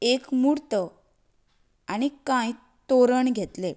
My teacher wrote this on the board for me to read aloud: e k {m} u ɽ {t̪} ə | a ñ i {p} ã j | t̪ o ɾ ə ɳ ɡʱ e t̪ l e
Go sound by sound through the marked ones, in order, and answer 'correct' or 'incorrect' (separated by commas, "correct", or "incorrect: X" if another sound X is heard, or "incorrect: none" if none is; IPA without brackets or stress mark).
correct, correct, incorrect: k